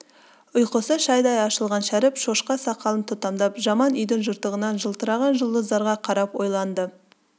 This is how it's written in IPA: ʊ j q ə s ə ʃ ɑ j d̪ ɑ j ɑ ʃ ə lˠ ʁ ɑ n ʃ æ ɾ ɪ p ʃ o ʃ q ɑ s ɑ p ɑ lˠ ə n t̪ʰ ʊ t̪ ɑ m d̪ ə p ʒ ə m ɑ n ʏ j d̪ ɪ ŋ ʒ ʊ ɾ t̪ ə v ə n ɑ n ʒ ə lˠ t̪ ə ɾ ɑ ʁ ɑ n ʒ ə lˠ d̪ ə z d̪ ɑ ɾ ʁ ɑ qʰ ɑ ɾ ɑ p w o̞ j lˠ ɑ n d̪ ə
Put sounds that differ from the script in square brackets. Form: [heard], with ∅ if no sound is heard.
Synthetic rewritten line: ʊ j q ə s ə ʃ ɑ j d̪ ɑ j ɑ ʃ ə lˠ ʁ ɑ n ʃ æ ɾ ɪ p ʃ o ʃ q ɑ s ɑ [q] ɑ lˠ ə n t̪ʰ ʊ t̪ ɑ m d̪ [ɑ] p ʒ [ɑ] m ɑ n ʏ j d̪ ɪ ŋ ʒ ʊ ɾ t̪ ə [ʁ] ə n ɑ n ʒ ə lˠ t̪ ə ɾ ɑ ʁ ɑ n ʒ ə lˠ d̪ ə z d̪ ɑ ɾ ʁ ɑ qʰ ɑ ɾ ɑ p w o̞ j lˠ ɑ n d̪ ə